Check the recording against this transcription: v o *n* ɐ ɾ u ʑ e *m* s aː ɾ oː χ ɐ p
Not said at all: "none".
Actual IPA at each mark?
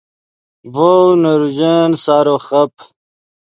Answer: n, n

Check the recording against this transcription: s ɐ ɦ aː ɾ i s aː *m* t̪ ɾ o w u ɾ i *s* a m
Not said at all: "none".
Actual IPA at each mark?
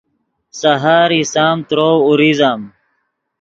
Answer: m, z

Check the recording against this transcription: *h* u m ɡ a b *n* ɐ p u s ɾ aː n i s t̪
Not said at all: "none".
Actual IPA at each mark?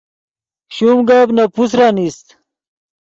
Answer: ɕ, n

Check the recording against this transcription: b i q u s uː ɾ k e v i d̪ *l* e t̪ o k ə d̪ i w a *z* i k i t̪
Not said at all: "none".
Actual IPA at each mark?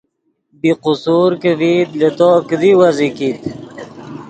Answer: l, z

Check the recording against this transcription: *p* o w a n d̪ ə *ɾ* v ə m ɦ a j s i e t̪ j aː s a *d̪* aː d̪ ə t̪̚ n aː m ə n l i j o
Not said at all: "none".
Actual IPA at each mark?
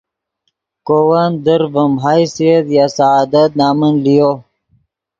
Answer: k, ɾ, none

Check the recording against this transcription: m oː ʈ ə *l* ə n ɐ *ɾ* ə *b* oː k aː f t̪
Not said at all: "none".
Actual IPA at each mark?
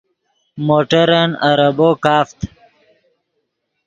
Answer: ɾ, ɾ, b

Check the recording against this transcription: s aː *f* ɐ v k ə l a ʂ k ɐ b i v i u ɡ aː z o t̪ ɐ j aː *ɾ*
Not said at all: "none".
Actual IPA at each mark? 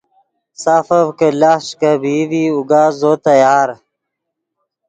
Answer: f, ɾ

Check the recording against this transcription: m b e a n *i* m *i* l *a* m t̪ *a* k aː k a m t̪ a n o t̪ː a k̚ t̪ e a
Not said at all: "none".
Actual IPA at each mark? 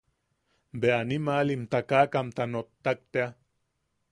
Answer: i, a, i, a

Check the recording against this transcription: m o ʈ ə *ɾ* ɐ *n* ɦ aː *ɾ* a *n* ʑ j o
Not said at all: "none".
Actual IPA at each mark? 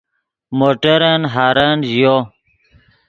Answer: ɾ, n, ɾ, n

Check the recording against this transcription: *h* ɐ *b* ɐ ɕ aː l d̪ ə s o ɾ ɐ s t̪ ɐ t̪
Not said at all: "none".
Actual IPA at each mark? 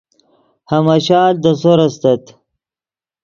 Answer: h, m

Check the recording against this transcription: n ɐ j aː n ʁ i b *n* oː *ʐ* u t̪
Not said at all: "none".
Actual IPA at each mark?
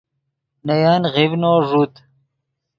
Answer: n, ʐ

